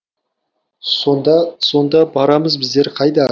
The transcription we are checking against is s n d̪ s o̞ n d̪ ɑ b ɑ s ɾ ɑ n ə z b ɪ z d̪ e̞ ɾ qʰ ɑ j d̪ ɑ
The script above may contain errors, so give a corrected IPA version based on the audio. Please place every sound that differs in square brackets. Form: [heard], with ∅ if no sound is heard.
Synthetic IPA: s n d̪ s o̞ n d̪ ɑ b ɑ [∅] ɾ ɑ [m] ə z b ɪ z d̪ e̞ ɾ qʰ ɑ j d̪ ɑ